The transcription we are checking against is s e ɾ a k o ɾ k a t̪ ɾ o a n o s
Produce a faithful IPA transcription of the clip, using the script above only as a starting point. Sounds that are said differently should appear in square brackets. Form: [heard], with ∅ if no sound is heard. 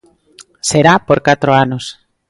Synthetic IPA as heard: s e ɾ a [p] o ɾ k a t̪ ɾ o a n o s